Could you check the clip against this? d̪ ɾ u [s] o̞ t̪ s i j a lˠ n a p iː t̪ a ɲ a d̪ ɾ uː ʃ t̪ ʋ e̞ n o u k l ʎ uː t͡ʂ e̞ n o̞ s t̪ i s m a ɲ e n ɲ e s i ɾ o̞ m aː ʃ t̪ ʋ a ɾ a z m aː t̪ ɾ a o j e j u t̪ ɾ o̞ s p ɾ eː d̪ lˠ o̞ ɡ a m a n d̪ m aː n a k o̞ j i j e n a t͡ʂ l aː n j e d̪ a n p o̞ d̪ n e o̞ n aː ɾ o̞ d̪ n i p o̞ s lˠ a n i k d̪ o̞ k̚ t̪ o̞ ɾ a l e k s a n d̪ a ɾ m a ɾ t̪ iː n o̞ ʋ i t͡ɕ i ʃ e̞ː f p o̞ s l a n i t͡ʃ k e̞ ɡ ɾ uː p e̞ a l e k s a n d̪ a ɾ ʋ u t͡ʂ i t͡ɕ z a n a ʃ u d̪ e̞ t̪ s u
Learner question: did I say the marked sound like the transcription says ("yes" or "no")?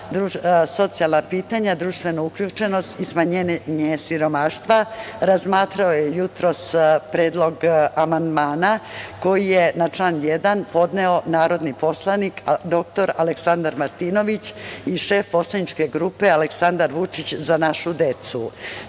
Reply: yes